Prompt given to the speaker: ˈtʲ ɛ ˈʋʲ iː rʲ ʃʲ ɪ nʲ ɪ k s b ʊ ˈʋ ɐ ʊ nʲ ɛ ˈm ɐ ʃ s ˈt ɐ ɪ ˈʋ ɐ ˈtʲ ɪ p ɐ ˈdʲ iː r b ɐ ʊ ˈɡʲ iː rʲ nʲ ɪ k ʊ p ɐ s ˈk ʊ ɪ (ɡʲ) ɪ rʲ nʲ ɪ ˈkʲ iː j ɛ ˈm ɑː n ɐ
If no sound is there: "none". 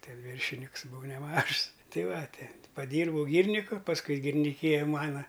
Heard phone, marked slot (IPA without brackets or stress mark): ɡʲ